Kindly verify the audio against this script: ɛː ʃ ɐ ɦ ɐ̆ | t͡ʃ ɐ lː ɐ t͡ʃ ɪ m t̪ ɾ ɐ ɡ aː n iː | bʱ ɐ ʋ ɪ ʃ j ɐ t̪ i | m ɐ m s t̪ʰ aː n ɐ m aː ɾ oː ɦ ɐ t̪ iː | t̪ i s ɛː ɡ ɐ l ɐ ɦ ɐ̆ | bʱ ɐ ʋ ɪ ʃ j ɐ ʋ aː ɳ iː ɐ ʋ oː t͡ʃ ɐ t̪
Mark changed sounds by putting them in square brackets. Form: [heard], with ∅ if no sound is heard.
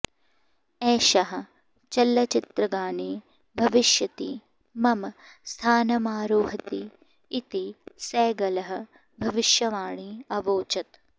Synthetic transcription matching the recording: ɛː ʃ ɐ ɦ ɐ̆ | t͡ʃ ɐ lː ɐ t͡ʃ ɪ [∅] t̪ ɾ ɐ ɡ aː n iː | bʱ ɐ ʋ ɪ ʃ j ɐ t̪ i | m ɐ m s t̪ʰ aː n ɐ m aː ɾ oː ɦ ɐ t̪ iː | t̪ i s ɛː ɡ ɐ l ɐ ɦ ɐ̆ | bʱ ɐ ʋ ɪ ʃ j ɐ ʋ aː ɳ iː ɐ ʋ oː t͡ʃ ɐ t̪